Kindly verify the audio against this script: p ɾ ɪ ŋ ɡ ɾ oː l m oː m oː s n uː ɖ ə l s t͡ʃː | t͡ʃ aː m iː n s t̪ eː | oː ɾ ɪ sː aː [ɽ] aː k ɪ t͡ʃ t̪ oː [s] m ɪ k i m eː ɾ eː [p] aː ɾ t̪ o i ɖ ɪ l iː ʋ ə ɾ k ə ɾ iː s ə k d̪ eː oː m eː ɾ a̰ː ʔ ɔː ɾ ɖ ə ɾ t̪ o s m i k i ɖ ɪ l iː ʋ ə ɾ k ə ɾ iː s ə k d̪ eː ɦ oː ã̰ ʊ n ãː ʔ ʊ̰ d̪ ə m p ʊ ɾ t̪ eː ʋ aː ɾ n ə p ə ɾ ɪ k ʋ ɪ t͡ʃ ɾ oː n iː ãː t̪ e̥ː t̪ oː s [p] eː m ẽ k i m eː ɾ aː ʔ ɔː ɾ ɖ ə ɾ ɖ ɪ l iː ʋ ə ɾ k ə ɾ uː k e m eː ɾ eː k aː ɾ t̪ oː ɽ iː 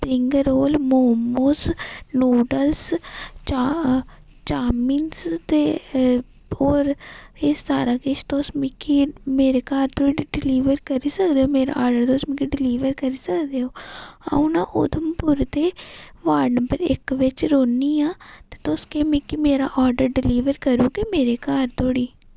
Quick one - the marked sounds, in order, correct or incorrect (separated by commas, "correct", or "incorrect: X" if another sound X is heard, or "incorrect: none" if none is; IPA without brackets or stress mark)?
incorrect: ɾ, correct, incorrect: k, incorrect: k